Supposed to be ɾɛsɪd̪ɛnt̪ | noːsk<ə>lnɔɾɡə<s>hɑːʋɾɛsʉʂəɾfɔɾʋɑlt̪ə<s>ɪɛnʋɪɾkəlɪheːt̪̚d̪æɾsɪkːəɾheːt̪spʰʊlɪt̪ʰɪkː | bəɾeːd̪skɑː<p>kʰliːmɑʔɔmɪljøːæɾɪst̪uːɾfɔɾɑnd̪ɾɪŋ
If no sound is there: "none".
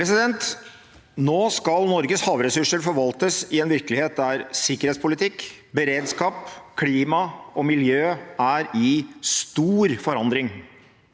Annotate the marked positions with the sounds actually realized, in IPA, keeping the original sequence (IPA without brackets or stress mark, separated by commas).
ɑ, s, s, p